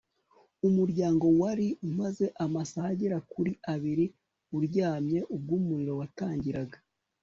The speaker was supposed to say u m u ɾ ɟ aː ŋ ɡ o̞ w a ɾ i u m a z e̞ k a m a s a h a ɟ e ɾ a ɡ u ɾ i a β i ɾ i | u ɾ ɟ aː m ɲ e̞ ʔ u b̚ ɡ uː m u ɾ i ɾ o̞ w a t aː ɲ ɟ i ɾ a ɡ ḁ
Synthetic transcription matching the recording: u m u ɾ ɟ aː ŋ ɡ o̞ w a ɾ i u m a z e̞ ʔ a m a s a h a ɟ e ɾ a k u ɾ i a β i ɾ i | u ɾ ɟ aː m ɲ e̞ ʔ u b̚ ɡ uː m u ɾ i ɾ o̞ w a t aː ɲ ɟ i ɾ a ɡ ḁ